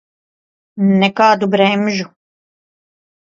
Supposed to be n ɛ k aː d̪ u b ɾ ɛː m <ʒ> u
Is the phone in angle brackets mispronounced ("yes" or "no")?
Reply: no